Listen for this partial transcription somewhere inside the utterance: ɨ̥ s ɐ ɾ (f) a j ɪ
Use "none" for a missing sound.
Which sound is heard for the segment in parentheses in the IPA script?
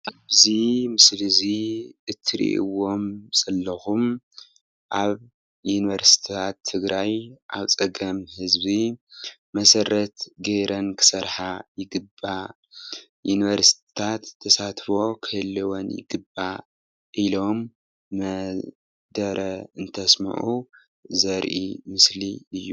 ħ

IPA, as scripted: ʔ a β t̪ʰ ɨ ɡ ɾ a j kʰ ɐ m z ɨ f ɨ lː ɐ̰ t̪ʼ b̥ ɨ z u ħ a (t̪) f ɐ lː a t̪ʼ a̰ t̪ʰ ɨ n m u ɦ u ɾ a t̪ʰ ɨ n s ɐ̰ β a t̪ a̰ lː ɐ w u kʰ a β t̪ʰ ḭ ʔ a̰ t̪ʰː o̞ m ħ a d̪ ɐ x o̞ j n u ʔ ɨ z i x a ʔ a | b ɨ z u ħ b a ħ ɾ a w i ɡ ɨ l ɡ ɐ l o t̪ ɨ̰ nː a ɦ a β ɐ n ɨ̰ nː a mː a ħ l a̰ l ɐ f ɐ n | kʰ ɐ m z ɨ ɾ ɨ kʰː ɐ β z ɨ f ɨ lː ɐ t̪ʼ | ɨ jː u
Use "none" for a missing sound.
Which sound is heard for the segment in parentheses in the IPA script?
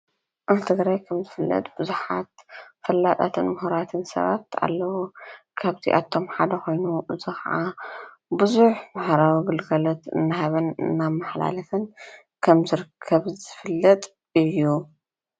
t̪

